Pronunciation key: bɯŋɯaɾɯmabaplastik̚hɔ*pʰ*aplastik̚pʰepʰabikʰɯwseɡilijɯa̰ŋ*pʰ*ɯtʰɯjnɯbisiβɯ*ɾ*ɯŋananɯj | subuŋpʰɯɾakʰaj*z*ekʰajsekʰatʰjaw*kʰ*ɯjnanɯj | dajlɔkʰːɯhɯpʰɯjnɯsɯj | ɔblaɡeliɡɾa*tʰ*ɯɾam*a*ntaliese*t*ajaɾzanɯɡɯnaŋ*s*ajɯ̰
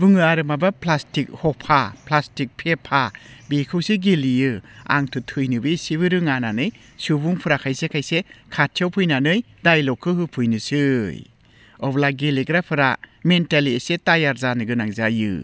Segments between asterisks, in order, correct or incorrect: correct, incorrect, correct, incorrect, incorrect, incorrect, incorrect, correct, incorrect

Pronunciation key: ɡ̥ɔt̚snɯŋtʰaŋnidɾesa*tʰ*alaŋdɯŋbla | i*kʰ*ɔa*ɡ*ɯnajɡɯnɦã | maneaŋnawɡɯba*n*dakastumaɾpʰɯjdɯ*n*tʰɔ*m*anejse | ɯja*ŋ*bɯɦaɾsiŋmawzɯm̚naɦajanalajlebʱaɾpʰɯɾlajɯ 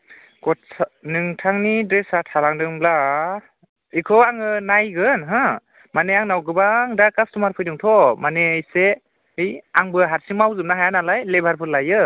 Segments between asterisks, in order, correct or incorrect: correct, correct, incorrect, incorrect, incorrect, correct, correct

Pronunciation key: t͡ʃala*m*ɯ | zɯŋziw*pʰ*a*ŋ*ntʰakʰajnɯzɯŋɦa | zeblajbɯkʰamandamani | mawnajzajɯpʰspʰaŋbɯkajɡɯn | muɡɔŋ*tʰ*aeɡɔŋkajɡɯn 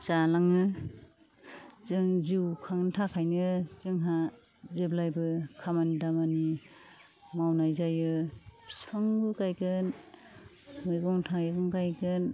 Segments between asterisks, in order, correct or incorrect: incorrect, incorrect, correct, correct

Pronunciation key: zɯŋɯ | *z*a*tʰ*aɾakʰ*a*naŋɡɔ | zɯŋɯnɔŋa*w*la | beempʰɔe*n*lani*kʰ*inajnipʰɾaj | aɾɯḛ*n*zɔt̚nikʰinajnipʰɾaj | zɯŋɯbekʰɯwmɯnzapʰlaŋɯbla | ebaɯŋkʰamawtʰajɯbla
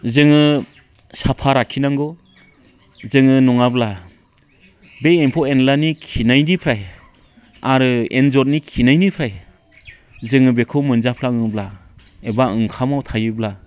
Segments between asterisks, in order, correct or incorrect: incorrect, incorrect, incorrect, incorrect, correct, correct, correct

